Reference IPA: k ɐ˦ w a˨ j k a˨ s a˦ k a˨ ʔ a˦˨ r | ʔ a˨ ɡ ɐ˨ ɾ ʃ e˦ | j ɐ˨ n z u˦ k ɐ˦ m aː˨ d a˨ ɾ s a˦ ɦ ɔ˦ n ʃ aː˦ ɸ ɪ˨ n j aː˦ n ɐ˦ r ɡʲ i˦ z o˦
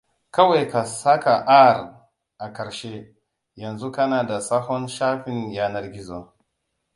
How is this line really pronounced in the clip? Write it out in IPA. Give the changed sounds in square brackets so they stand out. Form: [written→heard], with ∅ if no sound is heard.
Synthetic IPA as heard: k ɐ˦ w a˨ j k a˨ s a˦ k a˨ ʔ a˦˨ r | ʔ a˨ [ɡ→k] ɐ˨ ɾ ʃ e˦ | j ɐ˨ n z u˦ k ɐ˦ [m→n] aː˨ d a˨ [ɾ→∅] s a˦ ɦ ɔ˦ n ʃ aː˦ ɸ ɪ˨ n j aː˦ n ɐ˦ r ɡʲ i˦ z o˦